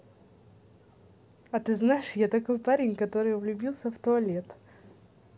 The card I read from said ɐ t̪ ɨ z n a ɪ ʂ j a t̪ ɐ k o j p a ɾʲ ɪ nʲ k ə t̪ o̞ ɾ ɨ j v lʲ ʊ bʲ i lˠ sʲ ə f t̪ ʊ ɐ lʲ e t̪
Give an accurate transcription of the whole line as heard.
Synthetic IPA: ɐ t̪ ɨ z n a ɪ ʂ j a t̪ ɐ k o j p a ɾʲ ɪ nʲ k ɐ t̪ o̞ ɾ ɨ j v lʲ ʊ bʲ i lˠ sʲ ə f t̪ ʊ ɐ lʲ e t̪